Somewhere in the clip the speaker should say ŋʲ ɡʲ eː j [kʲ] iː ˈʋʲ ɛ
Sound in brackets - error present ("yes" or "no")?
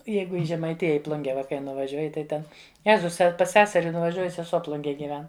yes